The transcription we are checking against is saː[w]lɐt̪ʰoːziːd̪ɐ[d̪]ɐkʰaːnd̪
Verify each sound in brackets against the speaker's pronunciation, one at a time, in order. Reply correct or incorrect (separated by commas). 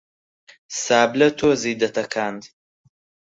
incorrect, incorrect